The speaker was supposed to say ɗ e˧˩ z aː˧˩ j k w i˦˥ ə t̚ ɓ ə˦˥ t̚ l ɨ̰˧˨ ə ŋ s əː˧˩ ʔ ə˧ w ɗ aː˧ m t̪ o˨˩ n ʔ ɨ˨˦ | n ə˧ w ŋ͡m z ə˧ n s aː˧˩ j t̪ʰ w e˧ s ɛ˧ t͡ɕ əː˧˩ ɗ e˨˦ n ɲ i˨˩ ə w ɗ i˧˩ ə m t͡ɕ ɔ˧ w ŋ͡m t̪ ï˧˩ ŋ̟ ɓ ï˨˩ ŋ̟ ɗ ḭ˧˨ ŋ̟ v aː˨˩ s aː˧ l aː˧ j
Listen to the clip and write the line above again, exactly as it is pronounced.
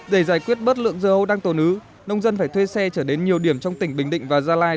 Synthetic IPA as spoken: ɗ e˧˩ z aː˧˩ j k w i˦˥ ə t̚ ɓ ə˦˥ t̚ l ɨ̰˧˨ ə ŋ z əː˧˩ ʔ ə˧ w ɗ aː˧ ŋ t̪ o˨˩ n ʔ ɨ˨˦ | n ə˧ w ŋ͡m z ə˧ n f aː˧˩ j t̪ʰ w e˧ s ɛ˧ t͡ɕ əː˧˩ ɗ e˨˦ n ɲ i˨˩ ə w ɗ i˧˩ ə m t͡ɕ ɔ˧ w ŋ͡m t̪ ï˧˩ ŋ̟ ɓ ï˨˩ ŋ̟ ɗ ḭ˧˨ ŋ̟ v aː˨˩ z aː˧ l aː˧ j